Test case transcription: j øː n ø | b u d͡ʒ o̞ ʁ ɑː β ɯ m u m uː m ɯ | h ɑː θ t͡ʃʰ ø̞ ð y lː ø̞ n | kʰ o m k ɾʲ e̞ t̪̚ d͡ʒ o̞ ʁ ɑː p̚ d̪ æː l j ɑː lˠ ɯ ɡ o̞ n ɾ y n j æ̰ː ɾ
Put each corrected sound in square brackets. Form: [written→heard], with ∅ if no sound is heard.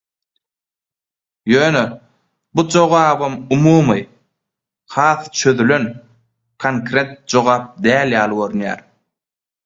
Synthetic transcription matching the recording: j øː n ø | b u d͡ʒ o̞ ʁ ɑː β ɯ m u m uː m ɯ | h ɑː θ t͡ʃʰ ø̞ ð y [lː→l] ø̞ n | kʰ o [m→ŋ] k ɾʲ e̞ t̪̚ d͡ʒ o̞ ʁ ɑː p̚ d̪ æː l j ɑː lˠ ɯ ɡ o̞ [n→∅] ɾ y n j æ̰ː ɾ